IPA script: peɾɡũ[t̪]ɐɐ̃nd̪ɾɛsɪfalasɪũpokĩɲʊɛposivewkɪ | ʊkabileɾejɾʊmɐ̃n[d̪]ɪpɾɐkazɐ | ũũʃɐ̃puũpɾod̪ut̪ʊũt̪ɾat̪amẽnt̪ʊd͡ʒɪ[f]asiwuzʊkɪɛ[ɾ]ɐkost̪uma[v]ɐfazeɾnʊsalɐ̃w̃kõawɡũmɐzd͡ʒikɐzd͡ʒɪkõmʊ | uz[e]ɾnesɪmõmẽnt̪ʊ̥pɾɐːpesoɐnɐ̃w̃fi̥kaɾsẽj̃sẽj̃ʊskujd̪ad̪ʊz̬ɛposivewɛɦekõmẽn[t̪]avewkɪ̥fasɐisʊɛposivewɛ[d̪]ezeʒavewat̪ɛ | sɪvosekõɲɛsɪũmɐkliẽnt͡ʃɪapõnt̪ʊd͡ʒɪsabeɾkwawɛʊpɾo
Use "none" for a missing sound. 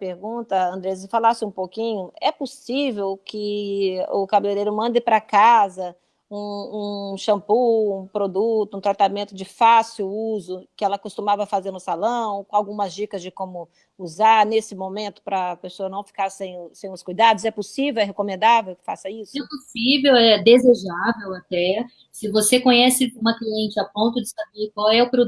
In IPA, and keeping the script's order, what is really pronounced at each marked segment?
t̪, d̪, f, l, v, a, d̪, d̪

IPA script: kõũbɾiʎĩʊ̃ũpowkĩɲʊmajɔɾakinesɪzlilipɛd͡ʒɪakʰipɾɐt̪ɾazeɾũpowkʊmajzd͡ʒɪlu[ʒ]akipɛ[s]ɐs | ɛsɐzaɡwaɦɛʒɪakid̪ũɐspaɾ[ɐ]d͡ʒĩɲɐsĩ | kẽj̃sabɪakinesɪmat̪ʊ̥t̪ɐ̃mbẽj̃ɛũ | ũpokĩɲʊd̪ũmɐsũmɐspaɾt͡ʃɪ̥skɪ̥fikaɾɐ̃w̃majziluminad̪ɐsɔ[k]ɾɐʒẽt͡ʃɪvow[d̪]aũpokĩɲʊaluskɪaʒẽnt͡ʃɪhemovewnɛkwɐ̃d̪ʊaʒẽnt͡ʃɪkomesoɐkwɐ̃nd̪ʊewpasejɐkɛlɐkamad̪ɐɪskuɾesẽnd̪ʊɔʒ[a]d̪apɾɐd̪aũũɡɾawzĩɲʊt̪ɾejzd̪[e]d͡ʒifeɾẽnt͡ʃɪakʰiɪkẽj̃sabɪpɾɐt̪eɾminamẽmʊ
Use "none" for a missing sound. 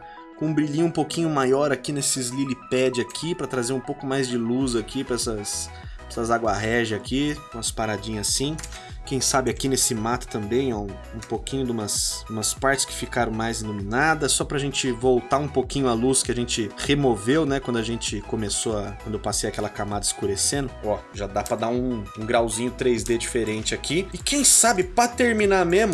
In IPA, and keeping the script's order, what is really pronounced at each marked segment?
z, s, a, p, t̪, a, e

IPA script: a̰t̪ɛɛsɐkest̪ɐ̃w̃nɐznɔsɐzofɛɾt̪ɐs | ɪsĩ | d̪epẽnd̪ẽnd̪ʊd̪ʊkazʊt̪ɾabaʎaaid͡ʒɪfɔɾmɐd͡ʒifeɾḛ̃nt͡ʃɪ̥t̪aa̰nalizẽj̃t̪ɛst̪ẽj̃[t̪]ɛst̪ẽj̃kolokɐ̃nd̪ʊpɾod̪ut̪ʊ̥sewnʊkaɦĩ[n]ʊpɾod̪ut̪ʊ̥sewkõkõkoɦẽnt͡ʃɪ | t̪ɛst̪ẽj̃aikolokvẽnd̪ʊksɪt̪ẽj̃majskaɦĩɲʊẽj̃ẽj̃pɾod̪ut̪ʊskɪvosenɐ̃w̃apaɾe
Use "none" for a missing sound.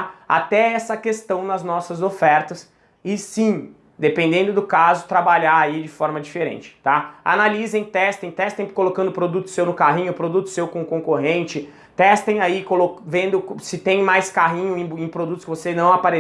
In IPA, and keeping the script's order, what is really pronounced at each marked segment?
t̪, ɲ

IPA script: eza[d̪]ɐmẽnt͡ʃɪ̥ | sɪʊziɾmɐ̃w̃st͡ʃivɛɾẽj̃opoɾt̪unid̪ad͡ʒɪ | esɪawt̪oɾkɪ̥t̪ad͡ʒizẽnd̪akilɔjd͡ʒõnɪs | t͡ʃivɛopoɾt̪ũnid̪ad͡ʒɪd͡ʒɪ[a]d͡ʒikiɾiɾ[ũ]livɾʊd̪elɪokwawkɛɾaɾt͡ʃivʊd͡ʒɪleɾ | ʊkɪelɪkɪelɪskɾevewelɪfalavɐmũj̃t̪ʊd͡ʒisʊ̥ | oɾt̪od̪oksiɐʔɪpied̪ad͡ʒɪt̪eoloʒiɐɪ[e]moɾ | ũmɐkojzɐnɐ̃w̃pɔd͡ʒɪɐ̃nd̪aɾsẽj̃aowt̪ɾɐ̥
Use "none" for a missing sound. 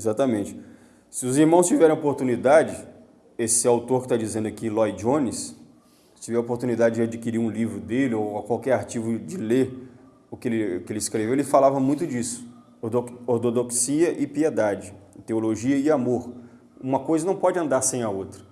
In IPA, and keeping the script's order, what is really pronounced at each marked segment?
t̪, a, ũ, a

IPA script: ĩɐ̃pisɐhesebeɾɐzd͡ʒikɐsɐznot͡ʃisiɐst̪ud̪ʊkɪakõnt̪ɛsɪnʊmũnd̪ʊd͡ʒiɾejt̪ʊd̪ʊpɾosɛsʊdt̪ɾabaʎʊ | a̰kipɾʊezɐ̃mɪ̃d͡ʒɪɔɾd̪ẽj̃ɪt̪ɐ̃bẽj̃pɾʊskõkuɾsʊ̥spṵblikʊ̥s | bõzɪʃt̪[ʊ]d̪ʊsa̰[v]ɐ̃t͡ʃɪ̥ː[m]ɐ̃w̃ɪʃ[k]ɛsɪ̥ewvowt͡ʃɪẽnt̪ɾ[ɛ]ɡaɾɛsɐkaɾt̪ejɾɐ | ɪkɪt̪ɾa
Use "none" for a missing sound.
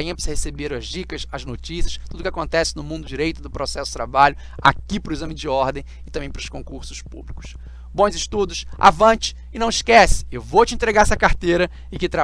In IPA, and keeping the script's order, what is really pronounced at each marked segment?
u, v, n, k, e

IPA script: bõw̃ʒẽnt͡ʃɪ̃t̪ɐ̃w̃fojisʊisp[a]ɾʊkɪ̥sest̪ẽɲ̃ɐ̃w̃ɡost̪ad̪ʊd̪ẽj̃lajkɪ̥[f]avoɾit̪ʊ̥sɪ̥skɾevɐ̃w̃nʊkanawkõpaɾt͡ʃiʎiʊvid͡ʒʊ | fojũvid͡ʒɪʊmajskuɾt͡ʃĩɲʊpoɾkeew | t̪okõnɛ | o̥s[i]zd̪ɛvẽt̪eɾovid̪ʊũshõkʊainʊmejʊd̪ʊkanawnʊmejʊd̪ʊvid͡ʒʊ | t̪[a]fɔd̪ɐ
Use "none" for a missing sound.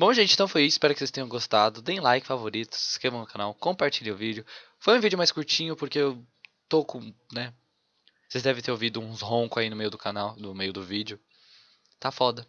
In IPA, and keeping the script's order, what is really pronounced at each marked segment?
ɛ, f, e, a

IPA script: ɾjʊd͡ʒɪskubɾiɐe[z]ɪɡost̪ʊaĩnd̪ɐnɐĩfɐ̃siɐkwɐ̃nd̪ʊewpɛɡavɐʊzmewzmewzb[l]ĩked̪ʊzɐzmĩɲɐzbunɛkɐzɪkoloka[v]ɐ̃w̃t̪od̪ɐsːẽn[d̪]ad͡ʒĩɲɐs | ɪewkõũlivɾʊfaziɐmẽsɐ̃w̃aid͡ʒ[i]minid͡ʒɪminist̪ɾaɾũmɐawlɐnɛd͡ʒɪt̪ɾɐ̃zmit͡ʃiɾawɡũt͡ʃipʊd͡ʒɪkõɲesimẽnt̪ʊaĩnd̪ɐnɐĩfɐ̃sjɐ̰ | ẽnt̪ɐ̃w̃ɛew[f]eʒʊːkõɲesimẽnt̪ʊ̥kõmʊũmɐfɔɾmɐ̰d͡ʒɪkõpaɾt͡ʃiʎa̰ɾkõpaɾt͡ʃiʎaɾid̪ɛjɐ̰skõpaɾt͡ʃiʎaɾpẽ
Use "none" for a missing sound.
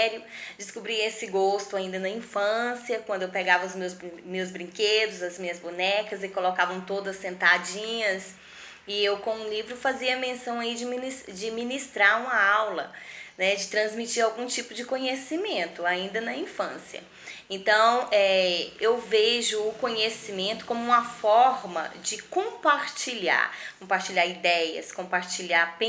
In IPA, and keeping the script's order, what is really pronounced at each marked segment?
s, ɾ, v, t̪, ɪ, v

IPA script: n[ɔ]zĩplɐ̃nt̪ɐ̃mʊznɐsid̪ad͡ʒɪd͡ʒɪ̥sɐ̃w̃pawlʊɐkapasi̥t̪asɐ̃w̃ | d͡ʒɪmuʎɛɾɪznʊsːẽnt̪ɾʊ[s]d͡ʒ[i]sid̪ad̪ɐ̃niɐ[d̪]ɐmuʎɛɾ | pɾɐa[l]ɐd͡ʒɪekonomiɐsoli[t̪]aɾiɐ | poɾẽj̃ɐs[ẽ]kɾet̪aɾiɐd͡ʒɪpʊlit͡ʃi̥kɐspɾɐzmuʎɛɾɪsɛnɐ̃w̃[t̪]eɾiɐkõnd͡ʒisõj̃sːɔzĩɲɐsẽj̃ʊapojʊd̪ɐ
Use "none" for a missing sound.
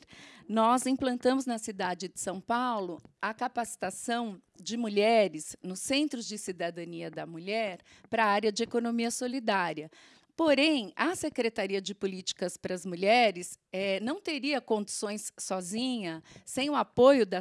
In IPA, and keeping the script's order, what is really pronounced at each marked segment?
ɔ, z, ɪ, d̪, ɾ, d̪, e, t̪

